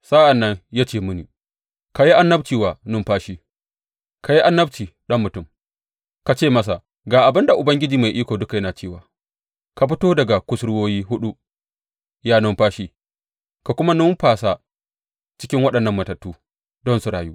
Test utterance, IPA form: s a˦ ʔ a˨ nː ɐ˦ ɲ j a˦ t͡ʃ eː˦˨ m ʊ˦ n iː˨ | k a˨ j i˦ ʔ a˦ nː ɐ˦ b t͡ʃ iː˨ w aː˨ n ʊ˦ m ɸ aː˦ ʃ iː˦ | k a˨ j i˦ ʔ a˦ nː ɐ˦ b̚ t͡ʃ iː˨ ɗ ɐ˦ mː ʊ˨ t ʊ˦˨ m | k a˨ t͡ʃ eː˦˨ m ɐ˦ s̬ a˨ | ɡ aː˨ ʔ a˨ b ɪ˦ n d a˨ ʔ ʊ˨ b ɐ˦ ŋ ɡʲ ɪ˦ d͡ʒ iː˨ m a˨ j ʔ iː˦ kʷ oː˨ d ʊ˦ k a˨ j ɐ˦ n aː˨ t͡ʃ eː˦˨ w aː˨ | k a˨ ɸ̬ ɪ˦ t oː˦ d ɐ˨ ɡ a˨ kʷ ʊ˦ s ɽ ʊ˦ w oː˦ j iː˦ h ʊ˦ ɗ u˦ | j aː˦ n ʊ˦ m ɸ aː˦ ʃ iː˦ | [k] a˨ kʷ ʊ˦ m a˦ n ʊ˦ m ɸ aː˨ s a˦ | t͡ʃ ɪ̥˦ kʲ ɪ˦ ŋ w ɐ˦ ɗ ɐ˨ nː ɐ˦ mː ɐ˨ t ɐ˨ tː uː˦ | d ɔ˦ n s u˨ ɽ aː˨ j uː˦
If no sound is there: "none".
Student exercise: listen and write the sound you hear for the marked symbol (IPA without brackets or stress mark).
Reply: k